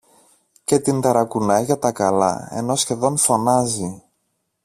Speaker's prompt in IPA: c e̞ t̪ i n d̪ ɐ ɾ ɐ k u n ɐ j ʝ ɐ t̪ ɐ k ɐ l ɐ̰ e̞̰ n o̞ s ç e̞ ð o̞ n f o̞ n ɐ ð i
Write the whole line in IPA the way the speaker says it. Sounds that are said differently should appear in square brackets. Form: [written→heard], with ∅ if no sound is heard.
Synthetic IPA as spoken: c e̞ t̪ i n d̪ ɐ ɾ ɐ k u n ɐ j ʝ ɐ t̪ ɐ k ɐ l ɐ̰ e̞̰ n o̞ s ç e̞ ð o̞ n f o̞ n ɐ [ð→z] i